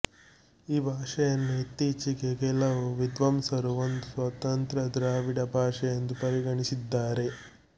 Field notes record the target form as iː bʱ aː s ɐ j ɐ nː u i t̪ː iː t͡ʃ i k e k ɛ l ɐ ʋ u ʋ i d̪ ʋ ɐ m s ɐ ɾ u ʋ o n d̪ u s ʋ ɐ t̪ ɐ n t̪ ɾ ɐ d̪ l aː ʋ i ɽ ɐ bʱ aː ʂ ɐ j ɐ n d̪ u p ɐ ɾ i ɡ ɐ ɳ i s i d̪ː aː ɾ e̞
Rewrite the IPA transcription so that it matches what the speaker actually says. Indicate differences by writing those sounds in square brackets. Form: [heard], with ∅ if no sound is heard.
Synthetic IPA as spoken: iː bʱ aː [ʂ] ɐ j ɐ nː u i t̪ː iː t͡ʃ i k e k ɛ l ɐ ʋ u ʋ i d̪ ʋ ɐ m s ɐ ɾ u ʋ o n d̪ u s ʋ ɐ t̪ ɐ n t̪ ɾ ɐ d̪ [ɾ] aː ʋ i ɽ ɐ bʱ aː ʂ ɐ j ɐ n d̪ u p ɐ ɾ i ɡ ɐ ɳ i s i d̪ː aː ɾ e̞